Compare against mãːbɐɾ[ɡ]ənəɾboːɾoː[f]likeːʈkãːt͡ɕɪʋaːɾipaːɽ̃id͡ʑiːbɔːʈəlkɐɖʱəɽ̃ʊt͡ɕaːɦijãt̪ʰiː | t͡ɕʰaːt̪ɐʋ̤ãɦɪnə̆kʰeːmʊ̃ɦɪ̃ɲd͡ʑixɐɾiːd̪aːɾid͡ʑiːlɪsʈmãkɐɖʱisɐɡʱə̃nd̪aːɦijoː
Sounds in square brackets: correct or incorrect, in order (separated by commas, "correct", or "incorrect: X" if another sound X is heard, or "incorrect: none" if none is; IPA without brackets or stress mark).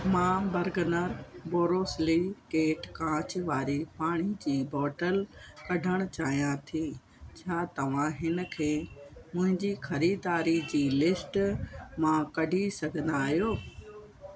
correct, incorrect: s